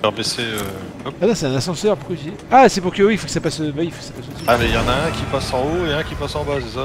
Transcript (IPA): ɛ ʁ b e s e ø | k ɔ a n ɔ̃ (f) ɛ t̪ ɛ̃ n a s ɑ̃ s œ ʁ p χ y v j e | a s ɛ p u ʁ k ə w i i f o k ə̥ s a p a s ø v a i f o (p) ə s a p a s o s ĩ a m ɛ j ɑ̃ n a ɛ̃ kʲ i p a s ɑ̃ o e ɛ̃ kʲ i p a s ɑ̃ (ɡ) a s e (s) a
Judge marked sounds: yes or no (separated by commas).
no, no, no, yes